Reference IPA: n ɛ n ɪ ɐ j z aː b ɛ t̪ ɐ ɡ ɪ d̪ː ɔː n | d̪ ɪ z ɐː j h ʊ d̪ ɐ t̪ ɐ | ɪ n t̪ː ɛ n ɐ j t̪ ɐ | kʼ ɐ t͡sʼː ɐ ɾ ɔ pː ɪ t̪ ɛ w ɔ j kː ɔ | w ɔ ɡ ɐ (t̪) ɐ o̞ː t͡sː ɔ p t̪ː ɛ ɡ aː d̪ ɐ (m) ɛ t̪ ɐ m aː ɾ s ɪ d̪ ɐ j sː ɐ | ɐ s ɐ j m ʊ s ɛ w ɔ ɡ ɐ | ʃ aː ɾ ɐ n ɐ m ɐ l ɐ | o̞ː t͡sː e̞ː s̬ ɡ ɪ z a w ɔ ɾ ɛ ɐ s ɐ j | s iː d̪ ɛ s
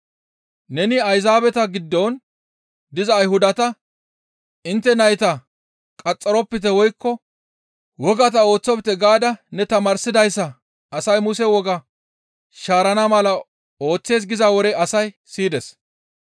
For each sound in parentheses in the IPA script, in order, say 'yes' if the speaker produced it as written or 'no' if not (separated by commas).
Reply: yes, no